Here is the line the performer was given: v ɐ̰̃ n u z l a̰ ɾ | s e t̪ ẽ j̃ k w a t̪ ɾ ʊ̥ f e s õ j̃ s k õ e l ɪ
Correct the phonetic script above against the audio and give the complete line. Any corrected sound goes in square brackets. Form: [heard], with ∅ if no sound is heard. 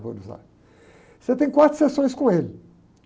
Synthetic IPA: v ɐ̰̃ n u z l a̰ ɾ | s e t̪ ẽ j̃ k w a t̪ ɾ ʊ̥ [s] e s õ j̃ s k õ e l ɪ